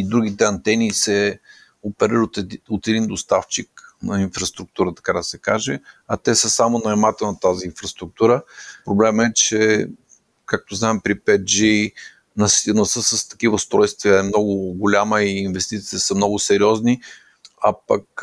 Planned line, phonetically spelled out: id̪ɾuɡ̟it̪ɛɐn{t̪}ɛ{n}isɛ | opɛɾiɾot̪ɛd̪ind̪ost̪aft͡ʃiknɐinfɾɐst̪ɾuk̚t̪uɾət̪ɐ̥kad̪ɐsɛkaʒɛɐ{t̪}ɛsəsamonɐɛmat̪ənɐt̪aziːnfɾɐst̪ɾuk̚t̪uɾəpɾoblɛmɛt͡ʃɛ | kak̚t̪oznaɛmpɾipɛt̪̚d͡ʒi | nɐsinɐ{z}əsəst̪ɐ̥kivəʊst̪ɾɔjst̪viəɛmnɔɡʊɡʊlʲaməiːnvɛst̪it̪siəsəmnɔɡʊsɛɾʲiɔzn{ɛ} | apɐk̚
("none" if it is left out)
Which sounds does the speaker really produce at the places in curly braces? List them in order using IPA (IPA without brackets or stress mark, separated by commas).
t̪, n, t̪, s, i